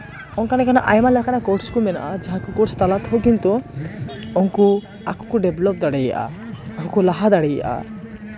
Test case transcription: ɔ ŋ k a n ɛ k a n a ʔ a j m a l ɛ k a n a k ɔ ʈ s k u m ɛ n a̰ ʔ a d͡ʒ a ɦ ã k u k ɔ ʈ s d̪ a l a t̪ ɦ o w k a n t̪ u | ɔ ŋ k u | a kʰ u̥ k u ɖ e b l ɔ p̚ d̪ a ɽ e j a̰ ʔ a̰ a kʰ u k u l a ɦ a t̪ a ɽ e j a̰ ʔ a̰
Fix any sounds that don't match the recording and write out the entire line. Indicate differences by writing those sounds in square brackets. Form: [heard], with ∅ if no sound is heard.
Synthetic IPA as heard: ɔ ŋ k a n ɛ k a n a ʔ a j m a l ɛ k a n a k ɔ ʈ s k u m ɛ n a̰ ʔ a d͡ʒ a ɦ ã k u k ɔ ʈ s [t̪] a l a t̪ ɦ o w k [i] n t̪ u | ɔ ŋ k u | a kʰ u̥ k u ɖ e b l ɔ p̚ d̪ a ɽ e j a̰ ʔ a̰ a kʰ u k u l a ɦ a [d̪] a ɽ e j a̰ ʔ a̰